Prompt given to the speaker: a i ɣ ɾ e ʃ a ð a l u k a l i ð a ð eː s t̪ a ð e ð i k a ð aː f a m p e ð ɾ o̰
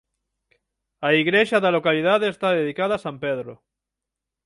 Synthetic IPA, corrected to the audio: a i ɣ ɾ e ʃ a ð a l o k a l i ð a ð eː s t̪ a ð e ð i k a ð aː s a m p e ð ɾ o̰